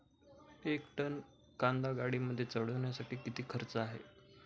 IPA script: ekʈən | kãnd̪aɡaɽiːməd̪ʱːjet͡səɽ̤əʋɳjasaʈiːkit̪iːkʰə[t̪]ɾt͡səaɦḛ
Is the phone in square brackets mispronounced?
yes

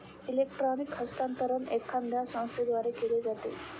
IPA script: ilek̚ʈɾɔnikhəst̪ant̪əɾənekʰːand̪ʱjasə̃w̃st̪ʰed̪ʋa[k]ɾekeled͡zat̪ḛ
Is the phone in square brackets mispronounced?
yes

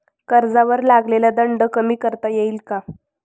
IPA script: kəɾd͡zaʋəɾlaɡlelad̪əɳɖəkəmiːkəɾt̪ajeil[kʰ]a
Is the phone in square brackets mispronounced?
yes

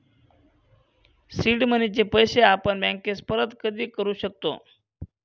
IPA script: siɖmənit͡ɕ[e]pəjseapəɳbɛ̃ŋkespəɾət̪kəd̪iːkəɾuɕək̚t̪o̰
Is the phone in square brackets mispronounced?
no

